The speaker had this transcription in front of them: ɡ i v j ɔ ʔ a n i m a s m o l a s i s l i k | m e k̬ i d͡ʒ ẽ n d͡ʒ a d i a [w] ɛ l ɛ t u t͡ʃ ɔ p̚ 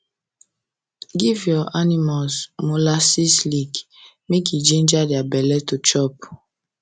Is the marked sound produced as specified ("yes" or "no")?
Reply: no